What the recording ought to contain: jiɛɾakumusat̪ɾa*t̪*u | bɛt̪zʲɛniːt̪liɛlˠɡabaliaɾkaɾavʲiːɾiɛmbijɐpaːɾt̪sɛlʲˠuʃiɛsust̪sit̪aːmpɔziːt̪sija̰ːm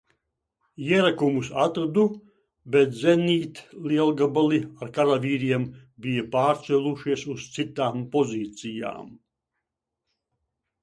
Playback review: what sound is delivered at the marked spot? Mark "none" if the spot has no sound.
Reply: d̪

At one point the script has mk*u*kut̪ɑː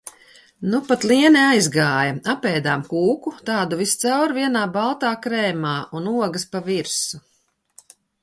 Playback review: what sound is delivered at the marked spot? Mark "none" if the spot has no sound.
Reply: uː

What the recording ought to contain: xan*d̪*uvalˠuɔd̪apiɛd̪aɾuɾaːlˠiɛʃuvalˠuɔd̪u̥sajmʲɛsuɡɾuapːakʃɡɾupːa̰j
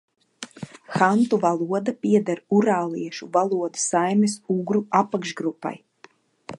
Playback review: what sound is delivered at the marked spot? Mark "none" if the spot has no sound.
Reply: t̪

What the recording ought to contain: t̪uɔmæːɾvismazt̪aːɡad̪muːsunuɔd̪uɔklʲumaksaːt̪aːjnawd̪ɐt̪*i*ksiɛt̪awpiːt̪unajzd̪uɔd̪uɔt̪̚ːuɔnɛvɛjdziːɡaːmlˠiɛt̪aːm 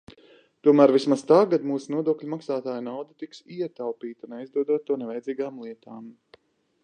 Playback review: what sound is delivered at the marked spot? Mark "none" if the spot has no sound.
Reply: i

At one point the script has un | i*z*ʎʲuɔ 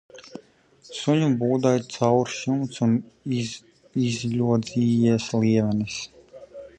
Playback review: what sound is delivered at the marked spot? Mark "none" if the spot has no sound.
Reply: z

